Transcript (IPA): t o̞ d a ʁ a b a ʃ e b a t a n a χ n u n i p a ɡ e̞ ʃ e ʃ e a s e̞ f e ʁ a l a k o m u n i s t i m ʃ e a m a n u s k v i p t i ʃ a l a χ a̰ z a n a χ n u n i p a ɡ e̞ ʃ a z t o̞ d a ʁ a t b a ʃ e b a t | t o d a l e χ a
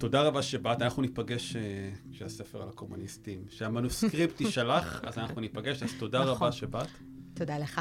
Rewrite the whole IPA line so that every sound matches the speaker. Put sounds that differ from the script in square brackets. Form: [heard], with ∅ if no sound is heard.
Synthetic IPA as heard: t o̞ d a ʁ a b a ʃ e b a t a n a χ n u n i p a ɡ e̞ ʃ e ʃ e a s e̞ f e ʁ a l a k o m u n i s t i m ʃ e a m a n u s k [ʁ] i p t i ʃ a l a χ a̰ z a n a χ n u n i p a ɡ e̞ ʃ a z t o̞ d a ʁ a [∅] b a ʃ e b a t | t o d a l e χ a